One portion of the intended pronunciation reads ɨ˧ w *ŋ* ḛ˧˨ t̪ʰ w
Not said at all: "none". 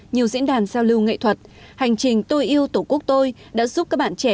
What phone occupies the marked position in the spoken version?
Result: ŋ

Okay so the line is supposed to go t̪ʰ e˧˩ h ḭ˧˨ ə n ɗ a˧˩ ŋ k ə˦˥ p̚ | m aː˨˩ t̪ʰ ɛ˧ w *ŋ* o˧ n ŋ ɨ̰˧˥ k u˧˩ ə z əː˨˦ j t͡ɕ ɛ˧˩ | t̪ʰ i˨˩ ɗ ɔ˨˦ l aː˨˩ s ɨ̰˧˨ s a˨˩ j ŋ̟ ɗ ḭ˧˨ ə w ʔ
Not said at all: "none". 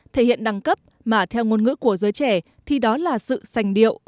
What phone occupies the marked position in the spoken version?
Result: ŋ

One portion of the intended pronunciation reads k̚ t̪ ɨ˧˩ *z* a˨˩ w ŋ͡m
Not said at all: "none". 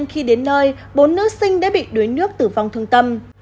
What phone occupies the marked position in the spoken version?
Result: v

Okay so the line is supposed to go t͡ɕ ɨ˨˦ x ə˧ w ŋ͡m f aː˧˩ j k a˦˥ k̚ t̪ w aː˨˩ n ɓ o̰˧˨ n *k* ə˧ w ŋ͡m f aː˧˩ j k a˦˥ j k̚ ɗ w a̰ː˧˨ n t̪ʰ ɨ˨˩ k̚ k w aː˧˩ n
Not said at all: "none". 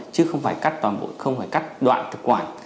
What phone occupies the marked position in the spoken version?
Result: x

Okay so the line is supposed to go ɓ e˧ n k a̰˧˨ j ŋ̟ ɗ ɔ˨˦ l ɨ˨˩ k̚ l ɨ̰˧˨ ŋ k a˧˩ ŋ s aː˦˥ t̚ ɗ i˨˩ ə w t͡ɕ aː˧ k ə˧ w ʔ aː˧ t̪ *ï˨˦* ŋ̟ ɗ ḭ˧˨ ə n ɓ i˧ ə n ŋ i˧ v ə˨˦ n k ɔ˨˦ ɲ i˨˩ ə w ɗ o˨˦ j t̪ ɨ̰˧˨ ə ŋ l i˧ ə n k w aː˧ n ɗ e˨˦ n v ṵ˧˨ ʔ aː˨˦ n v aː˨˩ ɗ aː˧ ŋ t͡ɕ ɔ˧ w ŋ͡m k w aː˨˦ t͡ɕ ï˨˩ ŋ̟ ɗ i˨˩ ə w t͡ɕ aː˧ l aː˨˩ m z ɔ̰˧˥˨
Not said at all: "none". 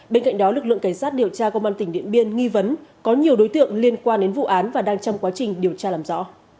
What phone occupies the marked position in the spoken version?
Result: ï˩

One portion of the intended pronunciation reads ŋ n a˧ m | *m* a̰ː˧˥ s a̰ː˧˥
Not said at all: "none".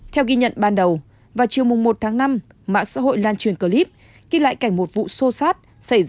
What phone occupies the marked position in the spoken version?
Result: m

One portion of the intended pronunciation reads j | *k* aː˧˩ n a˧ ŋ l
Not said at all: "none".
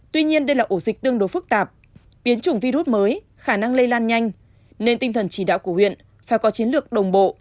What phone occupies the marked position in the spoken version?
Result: x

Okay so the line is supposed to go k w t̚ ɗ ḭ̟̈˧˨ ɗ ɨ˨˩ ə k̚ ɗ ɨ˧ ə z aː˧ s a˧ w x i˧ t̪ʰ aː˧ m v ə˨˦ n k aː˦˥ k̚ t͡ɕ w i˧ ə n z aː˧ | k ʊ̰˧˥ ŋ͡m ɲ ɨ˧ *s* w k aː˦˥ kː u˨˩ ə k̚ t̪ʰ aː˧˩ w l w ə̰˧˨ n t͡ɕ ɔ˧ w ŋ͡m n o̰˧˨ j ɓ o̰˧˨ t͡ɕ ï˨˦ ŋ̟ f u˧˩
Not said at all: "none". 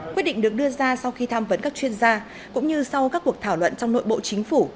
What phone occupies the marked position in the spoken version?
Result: s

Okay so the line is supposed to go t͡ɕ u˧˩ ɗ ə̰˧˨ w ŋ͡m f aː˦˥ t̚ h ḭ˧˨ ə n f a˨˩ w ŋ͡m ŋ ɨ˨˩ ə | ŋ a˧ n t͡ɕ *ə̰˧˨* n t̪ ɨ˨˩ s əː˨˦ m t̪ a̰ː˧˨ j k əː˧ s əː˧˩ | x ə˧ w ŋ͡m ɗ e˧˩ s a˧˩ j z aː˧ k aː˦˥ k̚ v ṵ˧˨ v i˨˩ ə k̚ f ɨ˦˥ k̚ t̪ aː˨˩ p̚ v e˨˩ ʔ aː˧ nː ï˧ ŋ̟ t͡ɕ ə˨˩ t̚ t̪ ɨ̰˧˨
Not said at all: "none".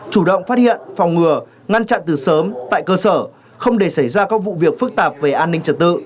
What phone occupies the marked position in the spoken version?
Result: a̰˧˨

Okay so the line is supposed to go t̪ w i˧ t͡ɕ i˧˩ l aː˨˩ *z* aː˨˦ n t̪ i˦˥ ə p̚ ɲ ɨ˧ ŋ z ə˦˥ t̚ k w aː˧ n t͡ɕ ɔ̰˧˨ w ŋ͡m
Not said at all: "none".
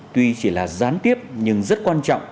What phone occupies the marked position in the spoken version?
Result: z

